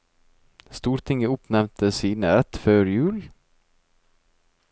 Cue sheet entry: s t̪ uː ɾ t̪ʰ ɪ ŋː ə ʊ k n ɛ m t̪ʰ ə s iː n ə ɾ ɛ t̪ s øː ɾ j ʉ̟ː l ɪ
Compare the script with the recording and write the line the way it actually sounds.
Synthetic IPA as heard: s t̪ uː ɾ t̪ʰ ɪ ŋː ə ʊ p n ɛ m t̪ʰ ə s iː n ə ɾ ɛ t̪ f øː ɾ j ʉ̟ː l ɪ